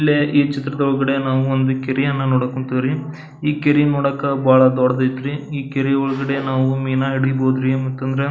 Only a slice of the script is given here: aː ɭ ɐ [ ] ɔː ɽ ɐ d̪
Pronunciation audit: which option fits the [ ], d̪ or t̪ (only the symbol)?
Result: d̪